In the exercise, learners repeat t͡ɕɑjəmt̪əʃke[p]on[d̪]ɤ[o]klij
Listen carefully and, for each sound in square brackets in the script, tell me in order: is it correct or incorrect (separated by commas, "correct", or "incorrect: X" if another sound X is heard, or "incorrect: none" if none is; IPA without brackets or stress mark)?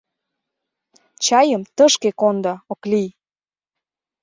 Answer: incorrect: k, correct, correct